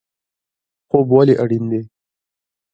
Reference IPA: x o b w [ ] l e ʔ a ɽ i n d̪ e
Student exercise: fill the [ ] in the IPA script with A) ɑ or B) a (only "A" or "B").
B